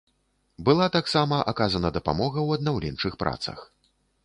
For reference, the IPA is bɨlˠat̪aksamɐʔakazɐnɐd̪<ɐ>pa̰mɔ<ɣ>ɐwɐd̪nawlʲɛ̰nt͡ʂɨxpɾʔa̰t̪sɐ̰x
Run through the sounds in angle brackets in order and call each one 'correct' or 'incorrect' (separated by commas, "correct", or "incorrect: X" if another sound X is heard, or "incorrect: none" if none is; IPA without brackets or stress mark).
correct, correct